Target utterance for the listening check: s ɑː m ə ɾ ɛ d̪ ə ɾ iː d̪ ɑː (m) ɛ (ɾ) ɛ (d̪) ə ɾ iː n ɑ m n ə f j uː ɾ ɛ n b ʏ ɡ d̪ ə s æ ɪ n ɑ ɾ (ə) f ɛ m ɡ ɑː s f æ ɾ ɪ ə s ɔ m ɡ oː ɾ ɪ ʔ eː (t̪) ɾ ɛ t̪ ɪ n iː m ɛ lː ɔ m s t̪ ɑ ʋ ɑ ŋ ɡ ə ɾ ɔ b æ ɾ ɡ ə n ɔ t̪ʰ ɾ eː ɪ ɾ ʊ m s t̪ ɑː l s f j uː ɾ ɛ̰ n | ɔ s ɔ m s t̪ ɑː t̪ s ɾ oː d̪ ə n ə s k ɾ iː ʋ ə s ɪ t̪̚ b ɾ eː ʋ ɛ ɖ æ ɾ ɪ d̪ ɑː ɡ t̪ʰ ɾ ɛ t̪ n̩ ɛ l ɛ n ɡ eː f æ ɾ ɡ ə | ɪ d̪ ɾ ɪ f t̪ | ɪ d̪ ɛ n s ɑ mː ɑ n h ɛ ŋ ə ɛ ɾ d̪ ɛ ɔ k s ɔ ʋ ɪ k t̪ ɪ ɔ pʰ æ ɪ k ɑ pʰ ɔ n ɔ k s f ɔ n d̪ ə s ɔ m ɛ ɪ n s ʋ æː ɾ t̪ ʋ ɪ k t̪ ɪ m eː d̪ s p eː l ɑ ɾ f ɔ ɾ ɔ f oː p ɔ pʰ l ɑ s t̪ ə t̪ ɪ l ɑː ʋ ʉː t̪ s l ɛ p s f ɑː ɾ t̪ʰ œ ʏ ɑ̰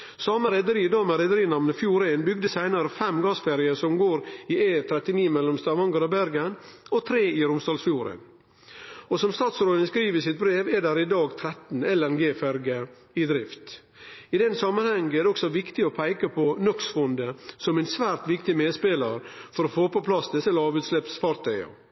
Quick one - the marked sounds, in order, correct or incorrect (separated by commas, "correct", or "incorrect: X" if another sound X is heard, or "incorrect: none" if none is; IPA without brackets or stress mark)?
correct, correct, correct, correct, incorrect: t̪ʰ